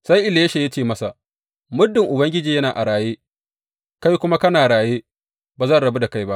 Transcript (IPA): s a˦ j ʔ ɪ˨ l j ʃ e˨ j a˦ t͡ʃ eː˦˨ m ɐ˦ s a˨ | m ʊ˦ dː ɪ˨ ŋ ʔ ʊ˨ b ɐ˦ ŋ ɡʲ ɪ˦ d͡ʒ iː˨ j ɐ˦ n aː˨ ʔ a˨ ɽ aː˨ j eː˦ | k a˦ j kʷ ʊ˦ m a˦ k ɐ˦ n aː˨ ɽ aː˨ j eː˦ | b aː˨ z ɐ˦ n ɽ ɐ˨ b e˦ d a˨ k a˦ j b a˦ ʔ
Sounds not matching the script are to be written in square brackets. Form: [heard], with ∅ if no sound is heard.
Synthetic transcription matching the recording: s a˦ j ʔ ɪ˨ l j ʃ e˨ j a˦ t͡ʃ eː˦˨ m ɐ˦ s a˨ | m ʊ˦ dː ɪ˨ ŋ ʔ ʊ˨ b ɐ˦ ŋ ɡʲ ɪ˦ d͡ʒ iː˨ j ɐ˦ n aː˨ ʔ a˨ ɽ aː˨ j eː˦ | k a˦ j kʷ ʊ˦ m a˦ k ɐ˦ n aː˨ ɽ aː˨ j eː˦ | b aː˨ z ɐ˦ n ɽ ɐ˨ b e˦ d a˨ k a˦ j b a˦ ʔ